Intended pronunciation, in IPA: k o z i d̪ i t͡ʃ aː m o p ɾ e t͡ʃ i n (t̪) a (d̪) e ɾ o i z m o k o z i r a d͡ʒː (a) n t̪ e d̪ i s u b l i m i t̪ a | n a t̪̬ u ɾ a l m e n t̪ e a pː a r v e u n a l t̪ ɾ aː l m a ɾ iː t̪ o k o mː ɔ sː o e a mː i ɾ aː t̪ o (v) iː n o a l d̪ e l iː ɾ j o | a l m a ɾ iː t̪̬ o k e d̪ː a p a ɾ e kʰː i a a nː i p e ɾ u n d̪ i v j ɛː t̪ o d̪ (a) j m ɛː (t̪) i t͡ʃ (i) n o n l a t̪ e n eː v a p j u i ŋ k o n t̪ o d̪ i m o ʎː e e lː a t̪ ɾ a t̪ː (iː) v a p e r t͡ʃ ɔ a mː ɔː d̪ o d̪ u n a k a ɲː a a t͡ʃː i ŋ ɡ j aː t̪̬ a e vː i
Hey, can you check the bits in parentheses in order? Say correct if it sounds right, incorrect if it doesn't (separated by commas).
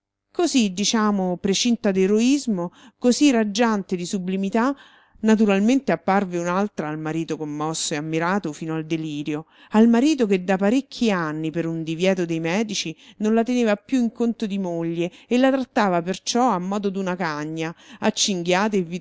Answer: correct, correct, correct, incorrect, incorrect, incorrect, correct, incorrect